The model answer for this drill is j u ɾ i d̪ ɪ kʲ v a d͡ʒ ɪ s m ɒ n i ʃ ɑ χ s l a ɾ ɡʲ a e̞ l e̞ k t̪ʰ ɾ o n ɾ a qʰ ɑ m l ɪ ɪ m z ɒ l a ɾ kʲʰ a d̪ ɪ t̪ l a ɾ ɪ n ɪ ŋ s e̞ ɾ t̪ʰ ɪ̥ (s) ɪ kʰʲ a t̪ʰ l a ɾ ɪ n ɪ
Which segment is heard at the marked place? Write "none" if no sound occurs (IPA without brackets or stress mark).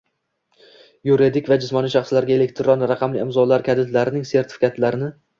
f